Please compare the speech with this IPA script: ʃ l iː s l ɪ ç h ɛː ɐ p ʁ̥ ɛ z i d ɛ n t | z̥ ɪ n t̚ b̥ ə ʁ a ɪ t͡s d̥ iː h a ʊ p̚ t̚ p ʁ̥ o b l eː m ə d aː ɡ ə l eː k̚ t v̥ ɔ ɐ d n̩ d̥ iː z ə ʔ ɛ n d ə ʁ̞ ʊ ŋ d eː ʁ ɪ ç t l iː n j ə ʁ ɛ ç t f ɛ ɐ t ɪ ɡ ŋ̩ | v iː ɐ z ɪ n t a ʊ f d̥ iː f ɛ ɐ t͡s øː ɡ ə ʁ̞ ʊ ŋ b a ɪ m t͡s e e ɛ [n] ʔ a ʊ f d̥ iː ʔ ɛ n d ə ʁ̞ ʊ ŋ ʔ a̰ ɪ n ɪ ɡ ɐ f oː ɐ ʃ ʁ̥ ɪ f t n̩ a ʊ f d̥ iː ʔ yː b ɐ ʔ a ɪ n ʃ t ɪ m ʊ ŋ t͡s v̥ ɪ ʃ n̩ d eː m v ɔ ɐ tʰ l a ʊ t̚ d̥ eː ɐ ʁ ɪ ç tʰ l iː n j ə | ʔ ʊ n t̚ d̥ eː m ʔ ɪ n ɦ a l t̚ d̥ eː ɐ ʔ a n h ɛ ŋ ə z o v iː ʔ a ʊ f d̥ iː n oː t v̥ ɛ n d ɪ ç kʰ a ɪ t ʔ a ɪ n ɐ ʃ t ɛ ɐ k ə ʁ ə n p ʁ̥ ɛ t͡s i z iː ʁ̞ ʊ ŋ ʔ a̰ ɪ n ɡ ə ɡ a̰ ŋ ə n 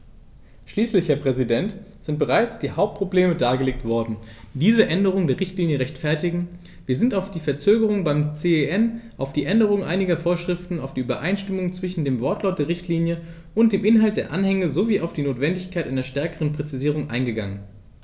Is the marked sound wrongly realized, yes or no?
no